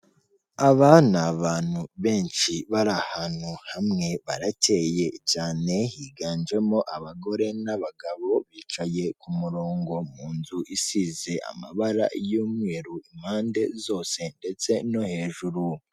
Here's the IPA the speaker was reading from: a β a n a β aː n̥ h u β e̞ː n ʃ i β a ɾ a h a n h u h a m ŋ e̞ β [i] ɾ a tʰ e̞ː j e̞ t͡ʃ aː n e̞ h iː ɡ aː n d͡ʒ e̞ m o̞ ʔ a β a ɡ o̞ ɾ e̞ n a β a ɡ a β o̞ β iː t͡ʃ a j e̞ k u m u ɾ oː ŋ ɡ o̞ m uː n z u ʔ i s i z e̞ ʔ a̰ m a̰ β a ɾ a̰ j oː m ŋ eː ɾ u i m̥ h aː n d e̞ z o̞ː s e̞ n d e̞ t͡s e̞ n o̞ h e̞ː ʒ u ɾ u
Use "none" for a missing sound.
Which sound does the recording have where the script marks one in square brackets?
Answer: a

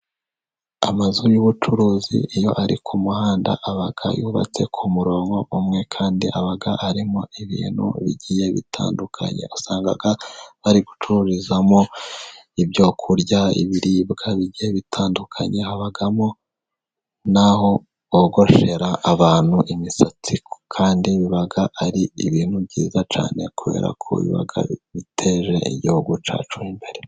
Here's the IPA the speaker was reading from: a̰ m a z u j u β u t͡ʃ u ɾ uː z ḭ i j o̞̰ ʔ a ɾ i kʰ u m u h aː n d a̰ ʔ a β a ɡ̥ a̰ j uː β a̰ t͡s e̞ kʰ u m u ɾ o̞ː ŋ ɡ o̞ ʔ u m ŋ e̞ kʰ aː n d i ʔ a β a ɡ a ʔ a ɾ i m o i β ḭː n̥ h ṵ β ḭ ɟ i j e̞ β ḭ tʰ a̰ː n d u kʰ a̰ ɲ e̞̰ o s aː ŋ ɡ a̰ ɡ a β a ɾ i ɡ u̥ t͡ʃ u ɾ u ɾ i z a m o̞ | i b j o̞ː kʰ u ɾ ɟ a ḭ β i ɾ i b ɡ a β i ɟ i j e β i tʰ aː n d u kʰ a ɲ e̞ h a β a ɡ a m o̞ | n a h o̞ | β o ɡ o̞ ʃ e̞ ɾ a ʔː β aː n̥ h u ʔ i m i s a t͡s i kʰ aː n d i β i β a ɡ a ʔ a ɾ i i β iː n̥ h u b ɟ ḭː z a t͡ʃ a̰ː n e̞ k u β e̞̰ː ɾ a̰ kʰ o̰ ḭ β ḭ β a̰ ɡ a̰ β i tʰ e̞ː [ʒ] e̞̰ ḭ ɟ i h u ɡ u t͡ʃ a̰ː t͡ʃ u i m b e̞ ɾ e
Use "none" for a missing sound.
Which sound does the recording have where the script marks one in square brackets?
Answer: ʒ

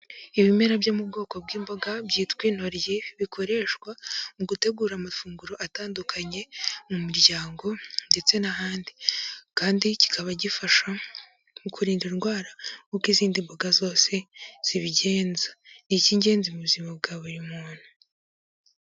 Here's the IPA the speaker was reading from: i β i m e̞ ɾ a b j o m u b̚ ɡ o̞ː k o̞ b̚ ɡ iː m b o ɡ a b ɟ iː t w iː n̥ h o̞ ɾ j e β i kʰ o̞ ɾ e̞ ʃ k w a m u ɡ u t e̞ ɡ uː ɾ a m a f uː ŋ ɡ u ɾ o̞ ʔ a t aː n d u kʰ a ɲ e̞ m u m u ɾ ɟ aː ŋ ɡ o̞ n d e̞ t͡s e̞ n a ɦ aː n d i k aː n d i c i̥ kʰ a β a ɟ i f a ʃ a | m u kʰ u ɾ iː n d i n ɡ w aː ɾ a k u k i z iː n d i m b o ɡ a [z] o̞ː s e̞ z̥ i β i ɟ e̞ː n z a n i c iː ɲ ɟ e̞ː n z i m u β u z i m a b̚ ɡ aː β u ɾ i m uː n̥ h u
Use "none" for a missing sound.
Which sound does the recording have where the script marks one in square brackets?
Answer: z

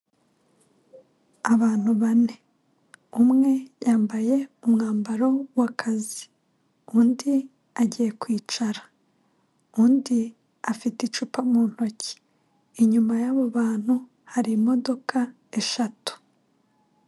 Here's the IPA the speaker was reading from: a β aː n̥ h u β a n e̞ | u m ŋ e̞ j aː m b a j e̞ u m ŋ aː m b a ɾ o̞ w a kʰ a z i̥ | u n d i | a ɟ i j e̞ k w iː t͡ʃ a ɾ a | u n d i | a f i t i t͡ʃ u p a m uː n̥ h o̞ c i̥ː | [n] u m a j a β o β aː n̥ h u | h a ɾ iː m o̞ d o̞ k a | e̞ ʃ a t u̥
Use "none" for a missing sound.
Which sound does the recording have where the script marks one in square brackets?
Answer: ɲ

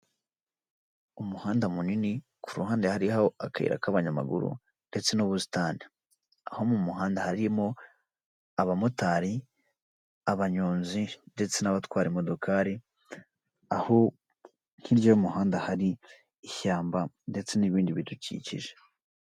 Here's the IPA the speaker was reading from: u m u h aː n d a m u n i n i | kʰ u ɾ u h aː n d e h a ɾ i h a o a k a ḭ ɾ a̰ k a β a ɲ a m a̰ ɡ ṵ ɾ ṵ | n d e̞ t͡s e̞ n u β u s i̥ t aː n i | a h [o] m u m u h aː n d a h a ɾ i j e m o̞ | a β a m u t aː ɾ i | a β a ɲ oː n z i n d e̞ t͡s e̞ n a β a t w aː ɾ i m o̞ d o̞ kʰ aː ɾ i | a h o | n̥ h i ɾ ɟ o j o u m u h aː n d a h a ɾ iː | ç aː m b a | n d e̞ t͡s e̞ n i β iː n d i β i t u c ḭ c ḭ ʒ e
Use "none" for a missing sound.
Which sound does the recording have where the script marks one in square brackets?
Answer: o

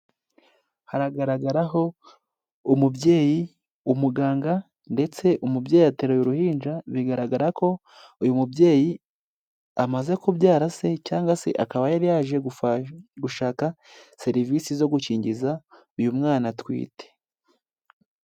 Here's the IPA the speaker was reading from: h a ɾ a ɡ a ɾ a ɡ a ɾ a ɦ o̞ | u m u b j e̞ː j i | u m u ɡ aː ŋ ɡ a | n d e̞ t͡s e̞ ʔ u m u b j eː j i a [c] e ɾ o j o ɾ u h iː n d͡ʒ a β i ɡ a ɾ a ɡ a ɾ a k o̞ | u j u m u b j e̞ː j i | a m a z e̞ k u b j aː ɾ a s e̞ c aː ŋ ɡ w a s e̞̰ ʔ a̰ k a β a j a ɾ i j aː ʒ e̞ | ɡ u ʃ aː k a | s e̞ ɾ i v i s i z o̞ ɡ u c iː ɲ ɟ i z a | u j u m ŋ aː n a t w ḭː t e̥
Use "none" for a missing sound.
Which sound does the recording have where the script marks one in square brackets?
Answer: t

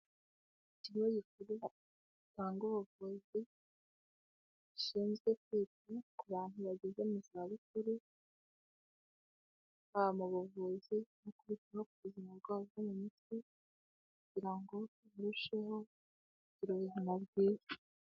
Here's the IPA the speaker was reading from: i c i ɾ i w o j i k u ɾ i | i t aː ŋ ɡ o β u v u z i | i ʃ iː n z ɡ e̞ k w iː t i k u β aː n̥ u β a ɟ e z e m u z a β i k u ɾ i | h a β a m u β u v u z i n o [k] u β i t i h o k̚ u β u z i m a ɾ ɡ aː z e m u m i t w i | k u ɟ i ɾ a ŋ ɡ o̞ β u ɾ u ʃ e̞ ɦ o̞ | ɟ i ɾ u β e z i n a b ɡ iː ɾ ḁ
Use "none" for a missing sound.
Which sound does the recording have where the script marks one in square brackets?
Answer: k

